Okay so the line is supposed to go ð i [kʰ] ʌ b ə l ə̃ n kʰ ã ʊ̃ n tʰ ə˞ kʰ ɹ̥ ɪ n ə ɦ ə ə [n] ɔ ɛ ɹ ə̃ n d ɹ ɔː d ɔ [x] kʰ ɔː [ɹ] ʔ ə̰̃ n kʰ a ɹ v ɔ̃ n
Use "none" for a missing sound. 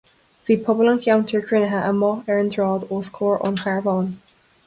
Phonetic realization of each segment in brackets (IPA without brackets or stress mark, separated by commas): pʰ, m, s, ɹ